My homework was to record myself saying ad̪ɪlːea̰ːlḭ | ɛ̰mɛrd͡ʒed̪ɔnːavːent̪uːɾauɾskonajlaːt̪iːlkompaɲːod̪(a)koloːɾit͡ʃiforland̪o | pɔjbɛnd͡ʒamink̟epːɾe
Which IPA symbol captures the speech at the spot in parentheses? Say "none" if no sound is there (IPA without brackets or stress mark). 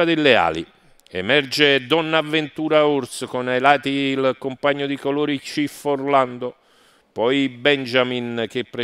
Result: i